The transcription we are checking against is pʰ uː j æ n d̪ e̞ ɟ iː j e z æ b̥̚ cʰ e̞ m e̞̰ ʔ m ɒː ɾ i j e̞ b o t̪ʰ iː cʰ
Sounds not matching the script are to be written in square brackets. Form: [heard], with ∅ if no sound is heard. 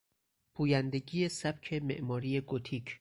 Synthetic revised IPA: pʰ uː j æ n d̪ e̞ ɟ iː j e [s] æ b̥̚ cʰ e̞ m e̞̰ ʔ m ɒː ɾ i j e̞ [ɡ] o t̪ʰ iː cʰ